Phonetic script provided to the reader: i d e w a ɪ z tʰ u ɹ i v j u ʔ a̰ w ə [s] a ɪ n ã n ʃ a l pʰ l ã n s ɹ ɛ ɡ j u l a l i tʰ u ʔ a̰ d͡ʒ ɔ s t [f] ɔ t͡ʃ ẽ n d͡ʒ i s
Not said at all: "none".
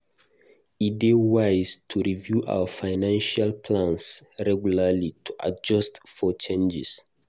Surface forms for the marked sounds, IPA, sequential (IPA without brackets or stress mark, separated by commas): f, f